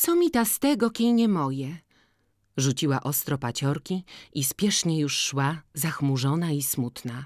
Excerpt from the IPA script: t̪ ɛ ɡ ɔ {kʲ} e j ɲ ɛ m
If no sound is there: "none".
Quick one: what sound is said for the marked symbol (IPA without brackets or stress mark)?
kʲ